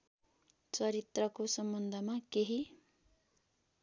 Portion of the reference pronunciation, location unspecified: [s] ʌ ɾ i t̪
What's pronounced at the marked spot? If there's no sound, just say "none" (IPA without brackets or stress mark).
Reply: t͡s